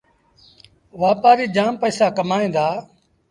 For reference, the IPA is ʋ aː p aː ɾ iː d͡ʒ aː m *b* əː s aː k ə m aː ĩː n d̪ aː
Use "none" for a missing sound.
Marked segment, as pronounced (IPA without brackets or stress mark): p